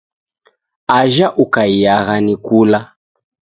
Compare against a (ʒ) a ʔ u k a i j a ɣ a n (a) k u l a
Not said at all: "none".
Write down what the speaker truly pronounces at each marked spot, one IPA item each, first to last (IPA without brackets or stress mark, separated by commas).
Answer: ʒ, i